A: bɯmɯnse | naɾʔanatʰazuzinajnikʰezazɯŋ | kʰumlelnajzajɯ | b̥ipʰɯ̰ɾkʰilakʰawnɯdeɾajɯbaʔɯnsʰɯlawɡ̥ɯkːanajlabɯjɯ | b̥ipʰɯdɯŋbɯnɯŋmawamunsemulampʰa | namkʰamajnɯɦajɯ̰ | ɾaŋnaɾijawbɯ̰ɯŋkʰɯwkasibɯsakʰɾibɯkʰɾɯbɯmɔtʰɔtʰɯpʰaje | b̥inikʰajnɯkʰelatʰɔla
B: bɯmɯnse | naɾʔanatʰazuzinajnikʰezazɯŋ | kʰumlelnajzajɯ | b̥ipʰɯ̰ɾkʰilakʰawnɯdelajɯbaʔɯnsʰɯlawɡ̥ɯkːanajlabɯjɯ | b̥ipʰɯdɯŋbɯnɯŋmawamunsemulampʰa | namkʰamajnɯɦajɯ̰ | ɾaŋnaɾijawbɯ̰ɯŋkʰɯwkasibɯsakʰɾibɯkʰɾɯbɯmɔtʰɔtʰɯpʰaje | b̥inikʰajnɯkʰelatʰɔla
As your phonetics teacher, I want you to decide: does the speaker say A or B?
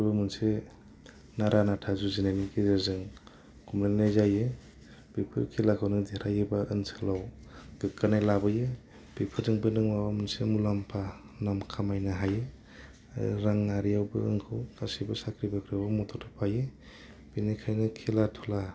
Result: A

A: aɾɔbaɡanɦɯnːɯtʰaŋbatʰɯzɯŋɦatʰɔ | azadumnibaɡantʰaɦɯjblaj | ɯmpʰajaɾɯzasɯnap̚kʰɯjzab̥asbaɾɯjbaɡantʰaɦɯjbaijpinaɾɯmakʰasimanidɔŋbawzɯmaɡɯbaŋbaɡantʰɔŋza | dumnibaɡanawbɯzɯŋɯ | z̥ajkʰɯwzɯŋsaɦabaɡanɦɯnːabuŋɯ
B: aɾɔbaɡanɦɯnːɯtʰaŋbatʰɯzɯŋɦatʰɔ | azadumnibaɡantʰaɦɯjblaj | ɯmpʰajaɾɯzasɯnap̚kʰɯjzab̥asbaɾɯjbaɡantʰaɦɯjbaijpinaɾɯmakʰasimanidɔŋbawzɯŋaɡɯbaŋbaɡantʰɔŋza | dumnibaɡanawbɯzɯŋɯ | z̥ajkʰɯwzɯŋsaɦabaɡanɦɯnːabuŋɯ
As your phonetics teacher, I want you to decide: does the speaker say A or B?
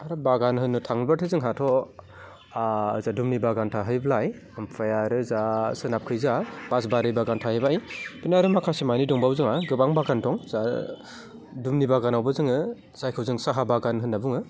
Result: B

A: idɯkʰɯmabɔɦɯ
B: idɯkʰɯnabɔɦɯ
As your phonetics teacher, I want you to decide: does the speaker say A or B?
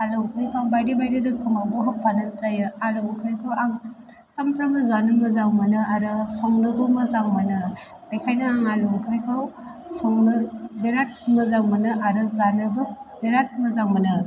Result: A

